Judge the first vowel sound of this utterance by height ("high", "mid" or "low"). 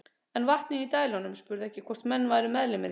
mid